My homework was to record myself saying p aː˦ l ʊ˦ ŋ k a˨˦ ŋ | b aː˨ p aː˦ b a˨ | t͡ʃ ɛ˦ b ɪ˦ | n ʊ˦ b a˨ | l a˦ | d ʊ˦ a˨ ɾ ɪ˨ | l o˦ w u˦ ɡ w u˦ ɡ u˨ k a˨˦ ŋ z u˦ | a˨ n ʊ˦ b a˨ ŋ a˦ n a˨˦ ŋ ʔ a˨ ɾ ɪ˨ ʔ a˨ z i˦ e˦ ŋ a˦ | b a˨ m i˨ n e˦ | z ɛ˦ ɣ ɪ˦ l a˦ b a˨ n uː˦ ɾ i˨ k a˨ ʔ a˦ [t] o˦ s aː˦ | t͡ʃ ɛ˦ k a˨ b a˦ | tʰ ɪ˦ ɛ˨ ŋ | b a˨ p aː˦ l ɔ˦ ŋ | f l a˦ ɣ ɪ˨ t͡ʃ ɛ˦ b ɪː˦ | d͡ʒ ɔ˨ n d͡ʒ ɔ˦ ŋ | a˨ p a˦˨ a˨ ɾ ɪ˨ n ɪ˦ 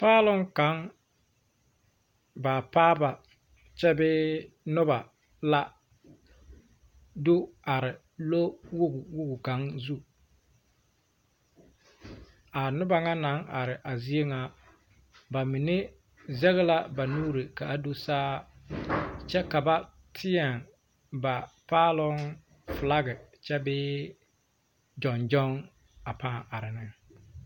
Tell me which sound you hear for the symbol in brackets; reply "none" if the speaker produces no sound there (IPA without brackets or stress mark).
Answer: d